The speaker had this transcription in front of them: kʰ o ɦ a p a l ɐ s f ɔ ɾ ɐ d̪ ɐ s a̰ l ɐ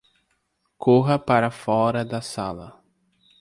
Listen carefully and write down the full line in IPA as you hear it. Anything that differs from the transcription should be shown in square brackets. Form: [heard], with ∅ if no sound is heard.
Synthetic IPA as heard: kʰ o ɦ [ɐ] p a [ɾ] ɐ [∅] f ɔ ɾ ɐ d̪ ɐ s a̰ l ɐ